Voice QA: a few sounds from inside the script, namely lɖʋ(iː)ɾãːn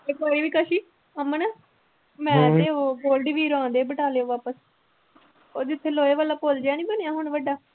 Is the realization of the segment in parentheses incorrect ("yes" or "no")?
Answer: no